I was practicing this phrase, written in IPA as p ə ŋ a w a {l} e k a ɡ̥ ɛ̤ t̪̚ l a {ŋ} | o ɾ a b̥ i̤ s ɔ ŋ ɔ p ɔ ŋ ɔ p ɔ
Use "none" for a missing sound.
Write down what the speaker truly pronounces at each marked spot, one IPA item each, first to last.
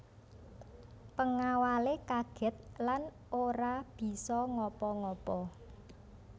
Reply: l, n

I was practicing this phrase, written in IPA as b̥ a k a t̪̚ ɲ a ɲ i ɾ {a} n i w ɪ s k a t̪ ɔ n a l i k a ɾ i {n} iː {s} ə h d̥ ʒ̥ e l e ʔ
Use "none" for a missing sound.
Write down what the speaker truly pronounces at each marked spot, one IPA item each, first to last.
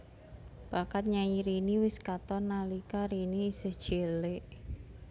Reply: i, n, s

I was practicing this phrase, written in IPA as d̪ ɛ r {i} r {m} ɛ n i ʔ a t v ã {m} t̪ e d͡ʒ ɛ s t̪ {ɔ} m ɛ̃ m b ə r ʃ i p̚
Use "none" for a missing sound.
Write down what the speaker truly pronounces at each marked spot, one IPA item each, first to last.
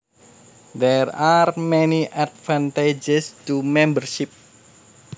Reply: a, m, n, u

